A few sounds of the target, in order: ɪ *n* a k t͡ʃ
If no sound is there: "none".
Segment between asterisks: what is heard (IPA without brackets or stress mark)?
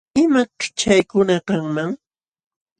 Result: m